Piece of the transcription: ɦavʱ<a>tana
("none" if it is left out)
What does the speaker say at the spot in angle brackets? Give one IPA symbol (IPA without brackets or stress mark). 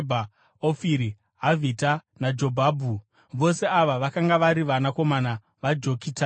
i